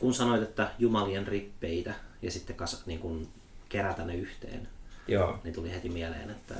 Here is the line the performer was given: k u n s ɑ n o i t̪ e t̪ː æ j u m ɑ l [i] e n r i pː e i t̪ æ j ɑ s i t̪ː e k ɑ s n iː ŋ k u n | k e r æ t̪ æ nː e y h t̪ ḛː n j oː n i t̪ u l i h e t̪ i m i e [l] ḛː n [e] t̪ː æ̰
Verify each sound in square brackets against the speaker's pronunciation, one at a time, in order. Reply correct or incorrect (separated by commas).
correct, correct, correct